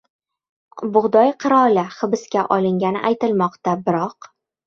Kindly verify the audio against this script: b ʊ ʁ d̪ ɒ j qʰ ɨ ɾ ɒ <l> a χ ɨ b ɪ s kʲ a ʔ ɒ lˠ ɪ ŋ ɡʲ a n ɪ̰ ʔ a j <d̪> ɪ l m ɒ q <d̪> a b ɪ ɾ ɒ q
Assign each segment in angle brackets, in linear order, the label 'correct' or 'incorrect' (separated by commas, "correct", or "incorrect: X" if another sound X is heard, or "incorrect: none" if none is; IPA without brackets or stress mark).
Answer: correct, incorrect: t̪, incorrect: t̪